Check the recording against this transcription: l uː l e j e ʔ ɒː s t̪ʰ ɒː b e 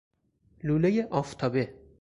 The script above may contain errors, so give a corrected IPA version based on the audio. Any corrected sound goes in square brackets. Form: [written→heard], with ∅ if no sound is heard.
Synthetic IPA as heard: l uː l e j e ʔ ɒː [s→f] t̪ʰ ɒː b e